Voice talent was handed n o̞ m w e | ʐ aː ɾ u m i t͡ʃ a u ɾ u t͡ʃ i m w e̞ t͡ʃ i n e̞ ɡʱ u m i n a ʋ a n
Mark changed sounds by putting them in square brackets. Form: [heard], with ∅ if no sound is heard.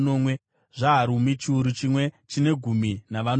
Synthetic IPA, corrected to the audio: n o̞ m w e | ʐ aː ɾ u m i t͡ʃ [i] u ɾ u t͡ʃ i m w e̞ t͡ʃ i n e̞ ɡʱ u m i n a ʋ a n